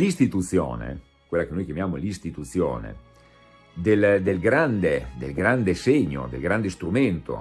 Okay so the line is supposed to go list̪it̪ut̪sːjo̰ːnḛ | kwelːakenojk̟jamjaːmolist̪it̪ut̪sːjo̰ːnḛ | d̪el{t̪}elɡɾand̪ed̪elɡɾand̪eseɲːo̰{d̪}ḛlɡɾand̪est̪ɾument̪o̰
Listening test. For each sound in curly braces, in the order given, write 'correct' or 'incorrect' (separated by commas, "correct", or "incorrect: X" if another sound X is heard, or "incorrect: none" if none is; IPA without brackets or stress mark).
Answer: incorrect: d̪, correct